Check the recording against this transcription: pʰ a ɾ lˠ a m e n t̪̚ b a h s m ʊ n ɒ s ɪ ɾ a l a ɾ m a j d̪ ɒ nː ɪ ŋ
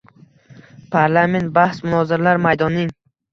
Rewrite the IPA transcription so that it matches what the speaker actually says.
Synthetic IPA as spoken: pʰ a ɾ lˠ a m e n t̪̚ b a h s m ʊ n ɒ z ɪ ɾ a l a ɾ m a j d̪ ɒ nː ɪ ŋ